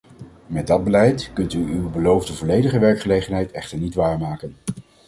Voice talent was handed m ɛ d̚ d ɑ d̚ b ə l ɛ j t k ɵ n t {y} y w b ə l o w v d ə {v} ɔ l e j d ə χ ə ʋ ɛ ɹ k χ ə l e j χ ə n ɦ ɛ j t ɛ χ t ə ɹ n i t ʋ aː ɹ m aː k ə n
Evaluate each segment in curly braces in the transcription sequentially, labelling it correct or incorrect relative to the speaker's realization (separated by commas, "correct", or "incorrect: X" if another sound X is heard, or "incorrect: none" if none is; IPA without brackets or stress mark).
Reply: correct, correct